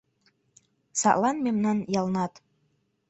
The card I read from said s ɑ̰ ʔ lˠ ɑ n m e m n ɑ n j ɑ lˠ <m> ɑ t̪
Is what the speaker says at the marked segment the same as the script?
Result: no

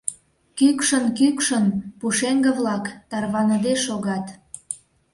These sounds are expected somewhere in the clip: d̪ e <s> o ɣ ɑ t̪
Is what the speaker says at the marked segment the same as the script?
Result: no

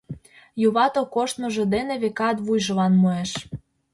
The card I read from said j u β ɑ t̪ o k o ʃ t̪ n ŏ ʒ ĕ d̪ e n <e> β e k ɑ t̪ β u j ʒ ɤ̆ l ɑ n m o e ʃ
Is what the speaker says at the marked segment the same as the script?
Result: yes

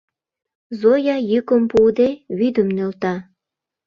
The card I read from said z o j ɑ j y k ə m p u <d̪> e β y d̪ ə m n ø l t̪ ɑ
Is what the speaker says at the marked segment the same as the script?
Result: yes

